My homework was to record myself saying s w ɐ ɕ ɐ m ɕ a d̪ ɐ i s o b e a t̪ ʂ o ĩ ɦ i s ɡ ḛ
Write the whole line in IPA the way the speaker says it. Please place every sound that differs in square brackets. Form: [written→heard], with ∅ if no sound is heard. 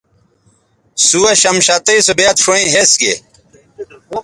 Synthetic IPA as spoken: s [w→u] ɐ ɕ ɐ m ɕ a [d̪→t̪] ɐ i s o b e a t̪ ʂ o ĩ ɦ [i→e] s ɡ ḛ